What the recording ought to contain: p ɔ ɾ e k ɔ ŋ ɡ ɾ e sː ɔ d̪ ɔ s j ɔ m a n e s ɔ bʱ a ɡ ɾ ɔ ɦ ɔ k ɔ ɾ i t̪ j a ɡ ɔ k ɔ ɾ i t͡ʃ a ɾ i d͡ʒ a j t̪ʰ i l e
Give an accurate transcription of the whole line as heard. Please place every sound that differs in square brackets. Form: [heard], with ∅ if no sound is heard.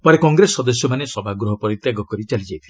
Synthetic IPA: p ɔ ɾ e k ɔ ŋ ɡ ɾ e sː ɔ d̪ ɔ s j ɔ m a n e s ɔ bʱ a ɡ ɾ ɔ ɦ ɔ [p] ɔ ɾ i t̪ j a ɡ ɔ k ɔ ɾ i t͡ʃ a [l] i d͡ʒ a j t̪ʰ i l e